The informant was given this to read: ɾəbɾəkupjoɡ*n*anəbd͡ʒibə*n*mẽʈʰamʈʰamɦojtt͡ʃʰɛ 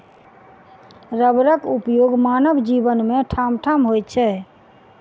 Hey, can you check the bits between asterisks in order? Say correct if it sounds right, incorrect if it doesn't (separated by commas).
incorrect, correct